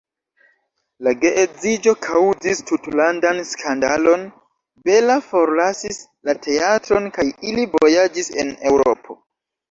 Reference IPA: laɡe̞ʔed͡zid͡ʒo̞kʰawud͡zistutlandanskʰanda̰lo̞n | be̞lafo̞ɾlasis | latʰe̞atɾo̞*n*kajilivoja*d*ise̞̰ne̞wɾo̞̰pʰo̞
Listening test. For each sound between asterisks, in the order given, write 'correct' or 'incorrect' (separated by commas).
correct, incorrect